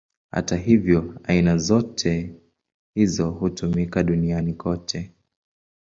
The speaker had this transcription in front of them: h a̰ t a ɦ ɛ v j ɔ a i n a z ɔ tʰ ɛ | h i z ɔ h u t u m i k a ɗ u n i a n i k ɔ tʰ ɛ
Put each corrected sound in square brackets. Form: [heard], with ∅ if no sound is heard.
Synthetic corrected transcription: h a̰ t a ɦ [i] v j ɔ a i n a z ɔ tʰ ɛ | h i z ɔ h u t u m i k a ɗ u n i a n i k ɔ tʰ ɛ